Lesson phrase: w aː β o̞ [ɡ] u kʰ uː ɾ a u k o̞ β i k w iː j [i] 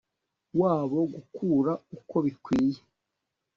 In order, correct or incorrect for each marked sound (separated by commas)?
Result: correct, incorrect